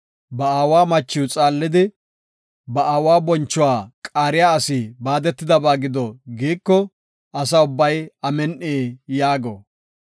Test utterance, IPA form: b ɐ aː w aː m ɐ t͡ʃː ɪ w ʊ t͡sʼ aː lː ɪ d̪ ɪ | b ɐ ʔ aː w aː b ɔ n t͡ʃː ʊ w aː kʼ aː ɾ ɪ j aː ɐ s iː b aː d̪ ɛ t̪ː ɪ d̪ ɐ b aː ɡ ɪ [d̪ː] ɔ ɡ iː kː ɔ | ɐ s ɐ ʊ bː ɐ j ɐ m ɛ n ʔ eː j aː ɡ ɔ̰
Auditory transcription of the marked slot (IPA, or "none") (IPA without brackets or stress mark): d̪